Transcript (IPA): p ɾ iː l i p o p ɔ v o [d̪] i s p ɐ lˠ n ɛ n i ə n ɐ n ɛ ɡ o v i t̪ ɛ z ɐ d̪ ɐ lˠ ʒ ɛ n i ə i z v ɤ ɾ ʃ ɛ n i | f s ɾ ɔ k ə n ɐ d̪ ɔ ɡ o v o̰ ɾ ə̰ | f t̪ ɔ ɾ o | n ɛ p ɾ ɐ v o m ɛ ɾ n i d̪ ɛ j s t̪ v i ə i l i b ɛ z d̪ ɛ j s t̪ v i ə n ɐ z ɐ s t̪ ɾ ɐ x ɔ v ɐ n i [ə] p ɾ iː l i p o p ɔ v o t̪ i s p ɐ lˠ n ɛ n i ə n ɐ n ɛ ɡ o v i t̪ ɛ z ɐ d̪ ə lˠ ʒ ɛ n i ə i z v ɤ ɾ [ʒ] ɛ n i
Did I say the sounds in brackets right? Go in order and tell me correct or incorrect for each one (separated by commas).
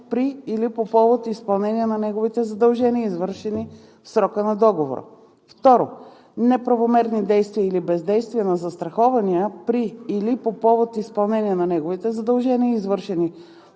incorrect, correct, incorrect